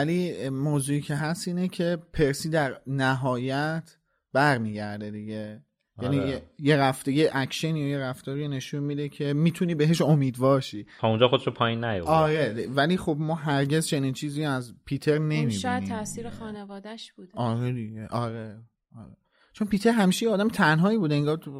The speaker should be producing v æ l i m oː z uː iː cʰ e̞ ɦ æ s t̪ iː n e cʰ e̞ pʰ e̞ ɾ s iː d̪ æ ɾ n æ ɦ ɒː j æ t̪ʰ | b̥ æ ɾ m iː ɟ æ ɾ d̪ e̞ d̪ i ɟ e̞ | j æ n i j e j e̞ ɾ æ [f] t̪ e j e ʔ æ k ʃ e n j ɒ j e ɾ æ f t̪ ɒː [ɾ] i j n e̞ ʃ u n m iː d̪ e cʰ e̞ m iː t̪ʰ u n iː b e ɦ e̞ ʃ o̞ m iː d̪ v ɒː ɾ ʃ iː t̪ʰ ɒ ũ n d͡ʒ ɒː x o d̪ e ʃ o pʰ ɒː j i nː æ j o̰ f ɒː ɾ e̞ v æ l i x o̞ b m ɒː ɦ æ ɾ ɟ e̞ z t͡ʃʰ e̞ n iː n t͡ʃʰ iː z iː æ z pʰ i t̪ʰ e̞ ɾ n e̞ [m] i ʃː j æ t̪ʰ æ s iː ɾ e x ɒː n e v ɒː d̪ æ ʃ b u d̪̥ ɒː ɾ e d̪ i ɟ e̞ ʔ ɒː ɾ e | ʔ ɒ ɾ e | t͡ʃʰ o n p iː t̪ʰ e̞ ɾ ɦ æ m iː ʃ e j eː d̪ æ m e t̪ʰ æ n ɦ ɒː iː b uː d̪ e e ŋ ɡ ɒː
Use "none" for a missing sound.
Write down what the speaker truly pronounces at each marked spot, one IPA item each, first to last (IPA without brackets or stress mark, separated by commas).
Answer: f, ɾ, m